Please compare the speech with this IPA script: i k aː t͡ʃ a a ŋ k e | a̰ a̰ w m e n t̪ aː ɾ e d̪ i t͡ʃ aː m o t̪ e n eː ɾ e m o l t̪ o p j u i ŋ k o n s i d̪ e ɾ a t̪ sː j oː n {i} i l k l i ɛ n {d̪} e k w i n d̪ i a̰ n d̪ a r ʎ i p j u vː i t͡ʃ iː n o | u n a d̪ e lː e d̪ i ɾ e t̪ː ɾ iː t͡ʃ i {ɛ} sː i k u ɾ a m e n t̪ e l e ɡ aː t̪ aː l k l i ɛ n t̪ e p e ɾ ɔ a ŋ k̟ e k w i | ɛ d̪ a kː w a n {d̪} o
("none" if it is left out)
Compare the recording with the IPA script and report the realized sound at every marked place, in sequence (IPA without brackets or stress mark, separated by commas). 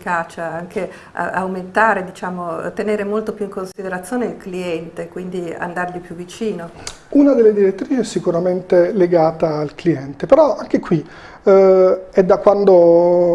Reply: e, t̪, ɛ, d̪